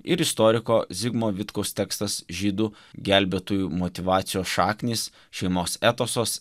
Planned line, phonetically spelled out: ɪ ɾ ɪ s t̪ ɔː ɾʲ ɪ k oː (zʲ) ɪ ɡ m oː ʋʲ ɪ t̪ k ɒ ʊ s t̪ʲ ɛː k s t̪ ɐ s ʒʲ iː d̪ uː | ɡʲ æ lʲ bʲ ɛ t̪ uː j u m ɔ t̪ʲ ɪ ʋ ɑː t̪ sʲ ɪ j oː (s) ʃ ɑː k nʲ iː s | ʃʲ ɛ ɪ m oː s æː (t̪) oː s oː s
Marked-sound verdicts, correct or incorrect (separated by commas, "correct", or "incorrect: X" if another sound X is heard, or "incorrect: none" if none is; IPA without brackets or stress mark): correct, correct, correct